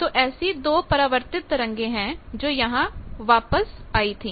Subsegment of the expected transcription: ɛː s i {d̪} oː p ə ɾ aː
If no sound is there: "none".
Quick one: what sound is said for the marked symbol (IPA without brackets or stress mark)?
d̪